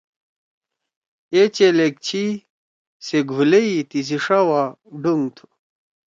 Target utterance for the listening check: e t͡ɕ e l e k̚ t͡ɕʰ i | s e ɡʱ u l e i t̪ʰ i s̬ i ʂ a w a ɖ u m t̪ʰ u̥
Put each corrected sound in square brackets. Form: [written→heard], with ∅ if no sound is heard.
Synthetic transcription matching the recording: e t͡ɕ e l e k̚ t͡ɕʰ i | s e ɡʱ u l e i [t̪ʰ→t̪] i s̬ i ʂ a w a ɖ u [m→ŋ] t̪ʰ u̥